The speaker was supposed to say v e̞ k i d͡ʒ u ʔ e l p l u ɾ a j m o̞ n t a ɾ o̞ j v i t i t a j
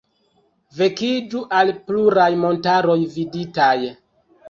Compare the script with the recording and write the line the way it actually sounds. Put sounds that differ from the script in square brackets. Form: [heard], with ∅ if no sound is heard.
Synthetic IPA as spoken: v e̞ k i d͡ʒ u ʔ [a] l p l u ɾ a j m o̞ n t a ɾ o̞ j v i [d] i t a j